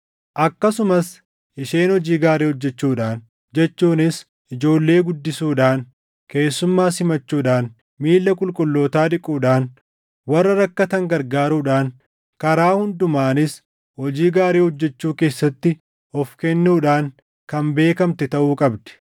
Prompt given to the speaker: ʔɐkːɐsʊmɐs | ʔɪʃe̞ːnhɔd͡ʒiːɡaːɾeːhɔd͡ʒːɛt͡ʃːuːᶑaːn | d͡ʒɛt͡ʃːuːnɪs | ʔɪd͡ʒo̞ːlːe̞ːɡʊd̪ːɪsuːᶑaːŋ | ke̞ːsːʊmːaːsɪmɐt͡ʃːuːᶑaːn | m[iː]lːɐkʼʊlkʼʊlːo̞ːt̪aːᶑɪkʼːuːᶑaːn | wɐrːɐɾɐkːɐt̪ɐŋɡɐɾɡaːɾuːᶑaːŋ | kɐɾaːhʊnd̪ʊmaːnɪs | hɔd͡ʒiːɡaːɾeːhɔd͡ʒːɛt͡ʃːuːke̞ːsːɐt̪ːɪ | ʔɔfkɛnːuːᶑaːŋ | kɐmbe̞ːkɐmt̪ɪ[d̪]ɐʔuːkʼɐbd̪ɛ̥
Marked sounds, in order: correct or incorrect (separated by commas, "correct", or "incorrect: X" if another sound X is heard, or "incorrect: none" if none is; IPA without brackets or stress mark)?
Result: correct, incorrect: t̪